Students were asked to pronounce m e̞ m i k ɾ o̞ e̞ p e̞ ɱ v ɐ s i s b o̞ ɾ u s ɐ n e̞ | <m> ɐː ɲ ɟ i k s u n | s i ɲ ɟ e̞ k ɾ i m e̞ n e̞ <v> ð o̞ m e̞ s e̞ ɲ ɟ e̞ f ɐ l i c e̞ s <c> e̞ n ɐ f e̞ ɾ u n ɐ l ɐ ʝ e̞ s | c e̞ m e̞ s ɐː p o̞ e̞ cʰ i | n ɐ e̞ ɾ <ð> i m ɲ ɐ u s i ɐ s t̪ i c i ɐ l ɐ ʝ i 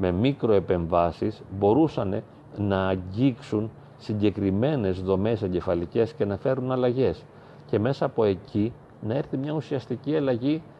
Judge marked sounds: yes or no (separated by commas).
no, no, yes, no